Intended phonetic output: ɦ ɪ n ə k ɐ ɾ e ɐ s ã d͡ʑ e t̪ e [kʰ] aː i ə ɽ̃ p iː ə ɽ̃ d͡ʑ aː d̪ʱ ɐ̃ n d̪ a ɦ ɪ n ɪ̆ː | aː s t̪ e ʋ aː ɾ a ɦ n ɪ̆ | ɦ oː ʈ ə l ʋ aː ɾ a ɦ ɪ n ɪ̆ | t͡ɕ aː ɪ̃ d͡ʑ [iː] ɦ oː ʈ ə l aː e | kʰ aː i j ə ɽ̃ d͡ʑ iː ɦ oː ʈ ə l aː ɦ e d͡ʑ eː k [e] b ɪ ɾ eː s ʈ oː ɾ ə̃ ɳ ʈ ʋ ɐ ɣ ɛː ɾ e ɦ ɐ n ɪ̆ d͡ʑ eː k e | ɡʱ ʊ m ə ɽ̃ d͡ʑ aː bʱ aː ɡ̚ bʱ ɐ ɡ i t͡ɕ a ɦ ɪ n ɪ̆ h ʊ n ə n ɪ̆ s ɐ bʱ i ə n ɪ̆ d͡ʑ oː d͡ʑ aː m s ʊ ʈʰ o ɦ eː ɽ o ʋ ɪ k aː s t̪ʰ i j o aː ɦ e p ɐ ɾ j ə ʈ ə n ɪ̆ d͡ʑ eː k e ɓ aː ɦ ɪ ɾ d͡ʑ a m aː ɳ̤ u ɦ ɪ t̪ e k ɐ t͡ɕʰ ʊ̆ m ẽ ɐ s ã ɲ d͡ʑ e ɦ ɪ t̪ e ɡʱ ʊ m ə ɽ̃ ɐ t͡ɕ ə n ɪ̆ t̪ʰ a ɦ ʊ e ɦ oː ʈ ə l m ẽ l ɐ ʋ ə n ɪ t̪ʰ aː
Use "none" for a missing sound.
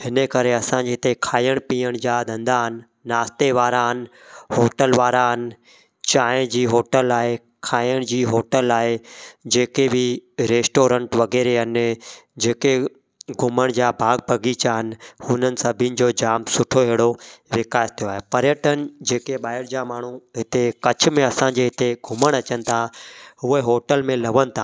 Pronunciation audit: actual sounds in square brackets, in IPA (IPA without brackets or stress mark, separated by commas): kʰ, iː, e